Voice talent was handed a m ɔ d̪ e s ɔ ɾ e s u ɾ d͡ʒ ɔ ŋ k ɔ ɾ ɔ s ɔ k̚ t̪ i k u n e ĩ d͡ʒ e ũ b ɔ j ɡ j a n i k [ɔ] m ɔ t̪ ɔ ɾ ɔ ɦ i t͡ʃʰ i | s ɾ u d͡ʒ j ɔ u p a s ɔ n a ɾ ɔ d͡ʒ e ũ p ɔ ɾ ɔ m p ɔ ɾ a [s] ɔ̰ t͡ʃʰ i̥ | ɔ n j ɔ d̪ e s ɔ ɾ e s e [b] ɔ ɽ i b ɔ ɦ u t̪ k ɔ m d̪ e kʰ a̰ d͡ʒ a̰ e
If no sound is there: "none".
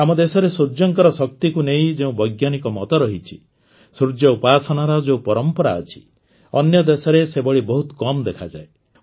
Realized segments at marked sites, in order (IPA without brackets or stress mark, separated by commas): ɔ, none, b